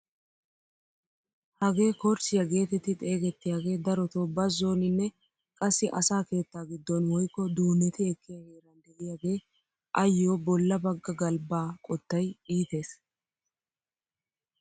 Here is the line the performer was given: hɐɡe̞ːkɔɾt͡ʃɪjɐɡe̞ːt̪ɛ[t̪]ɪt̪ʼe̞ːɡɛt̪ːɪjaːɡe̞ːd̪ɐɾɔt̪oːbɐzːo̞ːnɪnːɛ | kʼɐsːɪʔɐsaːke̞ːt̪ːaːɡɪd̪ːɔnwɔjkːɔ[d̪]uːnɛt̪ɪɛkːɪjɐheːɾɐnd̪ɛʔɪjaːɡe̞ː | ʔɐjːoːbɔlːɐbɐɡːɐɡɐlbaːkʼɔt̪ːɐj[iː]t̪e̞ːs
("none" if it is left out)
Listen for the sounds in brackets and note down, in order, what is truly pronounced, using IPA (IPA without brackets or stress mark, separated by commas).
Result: t̪, d̪, iː